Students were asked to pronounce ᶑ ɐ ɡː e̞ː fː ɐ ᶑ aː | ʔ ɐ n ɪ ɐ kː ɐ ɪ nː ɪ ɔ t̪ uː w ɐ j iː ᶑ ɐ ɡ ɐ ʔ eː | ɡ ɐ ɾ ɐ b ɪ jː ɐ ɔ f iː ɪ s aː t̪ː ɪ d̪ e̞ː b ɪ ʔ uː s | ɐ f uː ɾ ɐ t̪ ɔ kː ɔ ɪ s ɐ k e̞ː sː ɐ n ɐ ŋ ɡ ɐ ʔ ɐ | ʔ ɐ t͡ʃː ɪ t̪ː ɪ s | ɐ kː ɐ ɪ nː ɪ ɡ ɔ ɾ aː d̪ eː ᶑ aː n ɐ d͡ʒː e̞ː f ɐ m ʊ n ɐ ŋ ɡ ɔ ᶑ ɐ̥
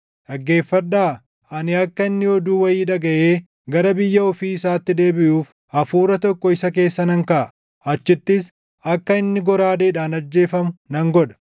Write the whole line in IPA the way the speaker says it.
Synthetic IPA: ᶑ ɐ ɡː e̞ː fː ɐ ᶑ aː | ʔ ɐ n ɪ ɐ kː ɐ ɪ nː ɪ ɔ d̪ uː w ɐ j iː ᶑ ɐ ɡ ɐ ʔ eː | ɡ ɐ ɾ ɐ b ɪ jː ɐ ɔ f iː ɪ s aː t̪ː ɪ d̪ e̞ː b ɪ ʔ uː f | ɐ f uː ɾ ɐ t̪ ɔ kː ɔ ɪ s ɐ k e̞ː sː ɐ n ɐ ŋ k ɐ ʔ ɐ | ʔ ɐ t͡ʃː ɪ t̪ː ɪ s | ɐ kː ɐ ɪ nː ɪ ɡ ɔ ɾ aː d̪ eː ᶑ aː n ɐ d͡ʒː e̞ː f ɐ m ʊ n ɐ ŋ ɡ ɔ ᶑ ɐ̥